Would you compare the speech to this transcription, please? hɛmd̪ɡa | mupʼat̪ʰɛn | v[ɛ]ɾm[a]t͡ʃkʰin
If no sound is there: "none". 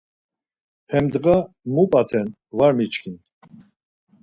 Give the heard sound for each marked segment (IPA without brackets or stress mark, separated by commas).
a, i